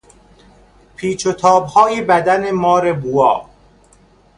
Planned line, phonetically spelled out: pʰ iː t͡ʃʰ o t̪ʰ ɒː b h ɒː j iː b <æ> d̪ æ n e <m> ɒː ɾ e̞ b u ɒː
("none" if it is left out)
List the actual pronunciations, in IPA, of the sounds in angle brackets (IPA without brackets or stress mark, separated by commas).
æ, m